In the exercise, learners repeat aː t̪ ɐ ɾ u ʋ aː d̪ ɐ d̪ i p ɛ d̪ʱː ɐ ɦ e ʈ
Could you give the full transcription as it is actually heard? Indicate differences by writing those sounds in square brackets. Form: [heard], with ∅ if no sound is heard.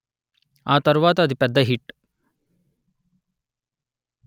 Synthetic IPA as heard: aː t̪ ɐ ɾ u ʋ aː [t̪] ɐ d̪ i p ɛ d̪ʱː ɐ ɦ [i] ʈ